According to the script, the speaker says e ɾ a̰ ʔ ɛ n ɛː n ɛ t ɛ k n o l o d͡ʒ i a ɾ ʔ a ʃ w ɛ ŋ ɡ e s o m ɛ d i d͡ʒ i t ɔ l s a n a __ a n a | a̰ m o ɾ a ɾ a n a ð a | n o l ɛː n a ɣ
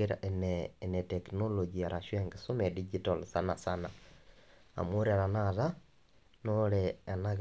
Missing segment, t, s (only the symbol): s